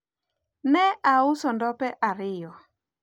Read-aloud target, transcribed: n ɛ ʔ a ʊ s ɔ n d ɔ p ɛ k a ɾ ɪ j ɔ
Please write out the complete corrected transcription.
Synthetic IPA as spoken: n ɛ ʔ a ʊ s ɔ n d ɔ p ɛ ʔ a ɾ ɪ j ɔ